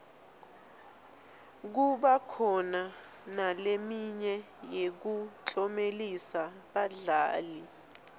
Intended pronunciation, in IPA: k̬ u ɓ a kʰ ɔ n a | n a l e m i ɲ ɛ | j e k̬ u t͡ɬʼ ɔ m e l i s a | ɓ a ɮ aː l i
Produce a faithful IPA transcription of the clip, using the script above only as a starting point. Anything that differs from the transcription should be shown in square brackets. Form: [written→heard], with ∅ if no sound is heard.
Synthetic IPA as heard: k̬ u ɓ a kʰ ɔ n a | n a l e m i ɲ ɛ | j e k̬ u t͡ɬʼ ɔ m e l i s a | ɓ a ɮ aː l i